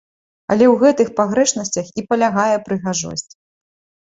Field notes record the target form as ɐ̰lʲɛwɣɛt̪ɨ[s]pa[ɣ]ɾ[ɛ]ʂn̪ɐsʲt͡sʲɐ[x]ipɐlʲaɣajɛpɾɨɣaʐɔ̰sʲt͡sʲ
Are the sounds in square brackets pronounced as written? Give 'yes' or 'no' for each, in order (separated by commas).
no, yes, yes, yes